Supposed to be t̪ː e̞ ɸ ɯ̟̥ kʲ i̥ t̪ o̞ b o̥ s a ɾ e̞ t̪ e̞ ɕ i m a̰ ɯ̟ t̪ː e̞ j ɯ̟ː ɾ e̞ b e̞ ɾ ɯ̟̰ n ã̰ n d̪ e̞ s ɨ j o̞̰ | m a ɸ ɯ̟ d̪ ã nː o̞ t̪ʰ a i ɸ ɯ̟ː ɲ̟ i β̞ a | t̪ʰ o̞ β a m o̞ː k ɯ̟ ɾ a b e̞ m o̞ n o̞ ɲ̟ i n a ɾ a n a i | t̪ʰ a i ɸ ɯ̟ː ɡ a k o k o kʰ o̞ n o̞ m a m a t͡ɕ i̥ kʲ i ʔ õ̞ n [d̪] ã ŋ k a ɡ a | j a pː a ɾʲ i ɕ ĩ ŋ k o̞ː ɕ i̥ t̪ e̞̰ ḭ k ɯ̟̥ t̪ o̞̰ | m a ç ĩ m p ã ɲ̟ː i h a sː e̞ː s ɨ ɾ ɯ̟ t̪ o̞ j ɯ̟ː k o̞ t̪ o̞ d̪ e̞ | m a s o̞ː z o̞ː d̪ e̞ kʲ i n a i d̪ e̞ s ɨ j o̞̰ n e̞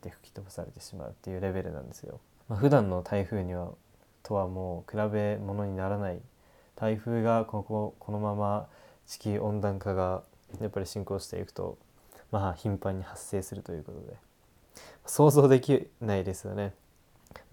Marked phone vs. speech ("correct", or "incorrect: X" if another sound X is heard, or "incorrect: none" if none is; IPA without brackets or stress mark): correct